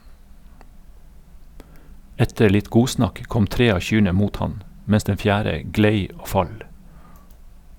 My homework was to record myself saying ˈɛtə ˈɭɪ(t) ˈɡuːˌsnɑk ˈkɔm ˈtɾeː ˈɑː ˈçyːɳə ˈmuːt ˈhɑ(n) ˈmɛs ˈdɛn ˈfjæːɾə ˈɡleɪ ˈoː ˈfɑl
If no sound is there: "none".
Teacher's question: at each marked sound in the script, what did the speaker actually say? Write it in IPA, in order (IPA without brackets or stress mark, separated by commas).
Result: t, n